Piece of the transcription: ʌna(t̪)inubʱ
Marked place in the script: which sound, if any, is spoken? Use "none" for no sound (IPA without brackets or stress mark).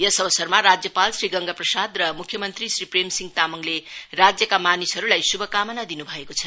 d̪